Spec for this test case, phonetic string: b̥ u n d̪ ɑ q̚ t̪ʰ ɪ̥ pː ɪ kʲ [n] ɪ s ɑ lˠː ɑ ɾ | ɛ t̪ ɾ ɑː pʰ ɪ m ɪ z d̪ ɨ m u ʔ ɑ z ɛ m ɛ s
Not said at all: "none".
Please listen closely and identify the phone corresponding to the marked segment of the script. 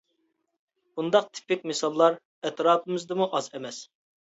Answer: m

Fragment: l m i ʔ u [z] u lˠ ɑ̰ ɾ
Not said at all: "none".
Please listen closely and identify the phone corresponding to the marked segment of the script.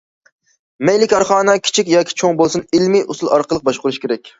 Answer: s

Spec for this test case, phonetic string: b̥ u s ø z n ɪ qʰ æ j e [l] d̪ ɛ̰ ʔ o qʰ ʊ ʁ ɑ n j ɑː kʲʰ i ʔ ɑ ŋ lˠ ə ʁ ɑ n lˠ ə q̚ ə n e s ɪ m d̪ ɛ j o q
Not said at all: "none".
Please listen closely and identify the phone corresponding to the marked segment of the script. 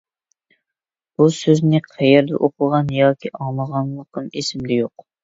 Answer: ɾ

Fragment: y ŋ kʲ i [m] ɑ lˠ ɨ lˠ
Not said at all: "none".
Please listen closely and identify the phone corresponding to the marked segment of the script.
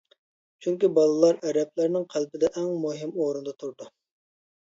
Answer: b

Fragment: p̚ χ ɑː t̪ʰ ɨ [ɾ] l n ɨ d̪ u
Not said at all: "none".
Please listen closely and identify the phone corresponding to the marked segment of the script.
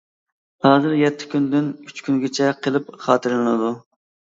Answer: ɾ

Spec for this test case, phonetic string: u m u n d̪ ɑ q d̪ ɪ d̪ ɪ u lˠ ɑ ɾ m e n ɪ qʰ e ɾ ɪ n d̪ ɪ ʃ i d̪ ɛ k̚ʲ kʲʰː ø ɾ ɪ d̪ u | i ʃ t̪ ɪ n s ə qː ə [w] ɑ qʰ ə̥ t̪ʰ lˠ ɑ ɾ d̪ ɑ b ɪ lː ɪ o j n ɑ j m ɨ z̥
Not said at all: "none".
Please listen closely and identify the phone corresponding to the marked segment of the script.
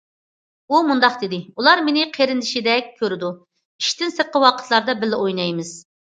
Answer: w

